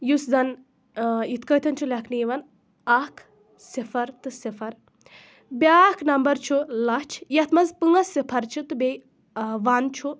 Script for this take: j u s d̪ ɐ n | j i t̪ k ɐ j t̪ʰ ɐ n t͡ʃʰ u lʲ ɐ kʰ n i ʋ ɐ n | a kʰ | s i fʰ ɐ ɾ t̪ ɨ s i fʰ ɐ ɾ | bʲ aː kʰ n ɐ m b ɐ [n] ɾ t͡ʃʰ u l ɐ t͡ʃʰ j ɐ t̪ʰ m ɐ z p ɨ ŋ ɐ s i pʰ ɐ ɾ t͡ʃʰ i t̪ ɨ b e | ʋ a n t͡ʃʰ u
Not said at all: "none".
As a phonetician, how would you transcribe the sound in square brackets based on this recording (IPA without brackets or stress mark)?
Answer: none